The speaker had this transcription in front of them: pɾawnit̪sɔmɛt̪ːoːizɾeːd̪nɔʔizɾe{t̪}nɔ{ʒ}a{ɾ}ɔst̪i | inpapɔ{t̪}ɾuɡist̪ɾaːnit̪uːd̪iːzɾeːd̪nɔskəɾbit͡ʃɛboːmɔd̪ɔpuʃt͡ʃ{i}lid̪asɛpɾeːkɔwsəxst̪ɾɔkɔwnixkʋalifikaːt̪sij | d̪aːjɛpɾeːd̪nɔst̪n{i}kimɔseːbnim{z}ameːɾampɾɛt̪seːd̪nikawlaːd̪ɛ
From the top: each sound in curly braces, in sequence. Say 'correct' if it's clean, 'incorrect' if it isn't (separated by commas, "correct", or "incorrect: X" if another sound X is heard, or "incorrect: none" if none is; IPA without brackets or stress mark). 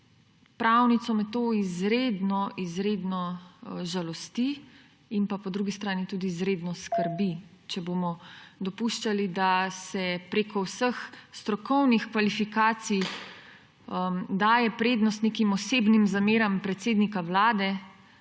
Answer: incorrect: d̪, correct, incorrect: l, incorrect: d̪, incorrect: a, incorrect: e, correct